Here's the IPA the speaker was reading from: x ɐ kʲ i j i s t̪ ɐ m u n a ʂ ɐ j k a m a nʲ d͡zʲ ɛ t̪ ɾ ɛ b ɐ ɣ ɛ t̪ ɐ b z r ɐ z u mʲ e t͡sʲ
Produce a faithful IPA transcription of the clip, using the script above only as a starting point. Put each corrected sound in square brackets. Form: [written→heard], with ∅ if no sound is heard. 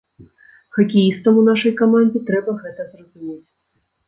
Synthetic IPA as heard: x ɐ kʲ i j i s t̪ ɐ m u n a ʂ ɐ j k a m a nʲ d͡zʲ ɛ t̪ ɾ ɛ b ɐ ɣ ɛ t̪ ɐ [b→∅] z r ɐ z u mʲ e t͡sʲ